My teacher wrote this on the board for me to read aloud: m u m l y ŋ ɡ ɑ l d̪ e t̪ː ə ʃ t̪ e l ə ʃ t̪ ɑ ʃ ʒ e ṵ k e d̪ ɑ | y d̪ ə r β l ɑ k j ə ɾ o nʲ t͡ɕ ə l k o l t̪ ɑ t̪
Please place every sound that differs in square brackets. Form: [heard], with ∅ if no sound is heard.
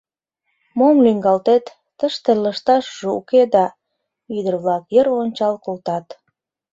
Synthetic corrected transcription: m [o] m l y ŋ ɡ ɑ l [t̪] e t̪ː ə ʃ t̪ e l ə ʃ t̪ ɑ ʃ ʒ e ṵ k e d̪ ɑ | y d̪ ə r β l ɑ k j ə ɾ o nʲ t͡ɕ [ɑ] l k o l t̪ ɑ t̪